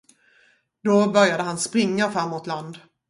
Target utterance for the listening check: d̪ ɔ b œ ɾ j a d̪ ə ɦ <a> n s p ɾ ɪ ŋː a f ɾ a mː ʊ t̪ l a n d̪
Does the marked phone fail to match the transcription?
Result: no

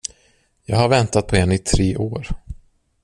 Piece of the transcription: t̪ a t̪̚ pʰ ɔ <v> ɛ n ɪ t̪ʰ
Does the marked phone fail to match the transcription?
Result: yes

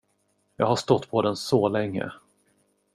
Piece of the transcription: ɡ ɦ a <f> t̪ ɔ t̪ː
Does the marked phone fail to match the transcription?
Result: yes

